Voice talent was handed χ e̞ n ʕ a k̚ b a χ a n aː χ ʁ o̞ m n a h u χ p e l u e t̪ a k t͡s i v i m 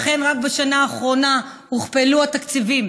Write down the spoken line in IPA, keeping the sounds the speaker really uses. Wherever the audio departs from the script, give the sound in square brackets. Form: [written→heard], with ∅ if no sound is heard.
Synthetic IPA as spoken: χ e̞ n [ʕ→ʁ] a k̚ b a [χ→ʃ] a n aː χ ʁ o̞ [m→∅] n a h u χ p e l u [e→a] t̪ a k t͡s i v i m